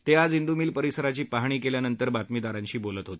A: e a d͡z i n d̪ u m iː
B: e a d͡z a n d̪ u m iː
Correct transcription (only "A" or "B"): A